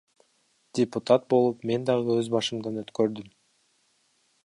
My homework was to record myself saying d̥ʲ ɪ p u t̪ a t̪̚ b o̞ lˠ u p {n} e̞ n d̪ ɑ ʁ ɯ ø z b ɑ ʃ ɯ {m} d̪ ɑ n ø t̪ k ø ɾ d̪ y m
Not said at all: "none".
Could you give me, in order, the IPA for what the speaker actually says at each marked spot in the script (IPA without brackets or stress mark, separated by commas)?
m, m